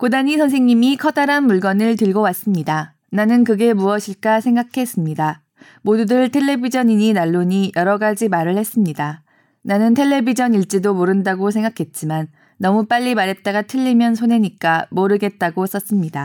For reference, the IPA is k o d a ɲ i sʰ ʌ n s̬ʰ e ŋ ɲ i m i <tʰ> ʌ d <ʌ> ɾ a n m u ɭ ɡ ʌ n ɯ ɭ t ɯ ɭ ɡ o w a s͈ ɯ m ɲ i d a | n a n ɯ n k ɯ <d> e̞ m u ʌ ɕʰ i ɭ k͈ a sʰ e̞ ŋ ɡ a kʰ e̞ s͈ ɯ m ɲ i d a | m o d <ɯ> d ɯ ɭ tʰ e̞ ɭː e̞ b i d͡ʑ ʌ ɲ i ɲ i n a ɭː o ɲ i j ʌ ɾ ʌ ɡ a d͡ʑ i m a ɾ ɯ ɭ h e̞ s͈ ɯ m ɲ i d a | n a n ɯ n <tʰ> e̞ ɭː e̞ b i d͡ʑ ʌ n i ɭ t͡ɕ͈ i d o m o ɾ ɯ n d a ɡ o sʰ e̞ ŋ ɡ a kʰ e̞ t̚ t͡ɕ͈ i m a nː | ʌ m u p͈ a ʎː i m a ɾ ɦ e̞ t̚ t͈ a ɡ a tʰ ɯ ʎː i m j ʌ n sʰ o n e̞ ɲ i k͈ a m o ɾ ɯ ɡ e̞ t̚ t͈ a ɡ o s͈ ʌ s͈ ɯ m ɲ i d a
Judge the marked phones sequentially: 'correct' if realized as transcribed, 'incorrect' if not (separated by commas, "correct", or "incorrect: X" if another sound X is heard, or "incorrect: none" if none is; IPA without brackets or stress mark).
incorrect: kʰ, incorrect: a, incorrect: ɡ, incorrect: u, correct